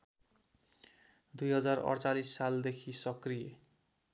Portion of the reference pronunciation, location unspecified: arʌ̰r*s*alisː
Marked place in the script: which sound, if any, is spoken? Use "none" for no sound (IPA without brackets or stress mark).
t͡s